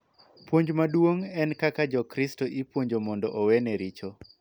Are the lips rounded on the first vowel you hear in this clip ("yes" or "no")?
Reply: yes